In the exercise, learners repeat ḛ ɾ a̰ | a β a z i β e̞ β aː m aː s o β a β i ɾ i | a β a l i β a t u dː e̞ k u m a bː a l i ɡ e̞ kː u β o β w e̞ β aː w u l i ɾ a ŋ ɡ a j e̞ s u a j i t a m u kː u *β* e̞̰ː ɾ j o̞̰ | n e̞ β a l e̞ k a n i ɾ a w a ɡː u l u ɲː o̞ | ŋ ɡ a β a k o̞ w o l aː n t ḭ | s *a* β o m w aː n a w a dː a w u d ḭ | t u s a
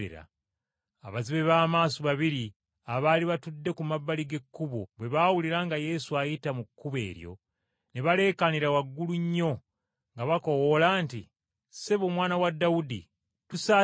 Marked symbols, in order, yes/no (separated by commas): yes, no